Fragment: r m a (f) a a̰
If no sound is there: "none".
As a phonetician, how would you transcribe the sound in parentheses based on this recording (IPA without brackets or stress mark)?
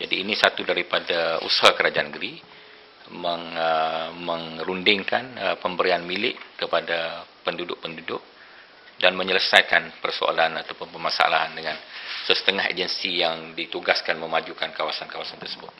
s